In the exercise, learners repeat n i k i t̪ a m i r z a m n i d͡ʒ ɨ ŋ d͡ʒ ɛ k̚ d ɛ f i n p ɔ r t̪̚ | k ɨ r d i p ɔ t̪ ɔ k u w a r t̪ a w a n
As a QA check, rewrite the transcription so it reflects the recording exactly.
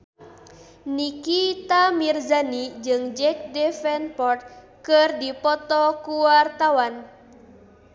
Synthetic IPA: n i k i t̪ a m i r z a n i d͡ʒ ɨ ŋ d͡ʒ ɛ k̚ d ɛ f ɛ n p ɔ r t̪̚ | k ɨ r d i p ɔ t̪ ɔ k u w a r t̪ a w a n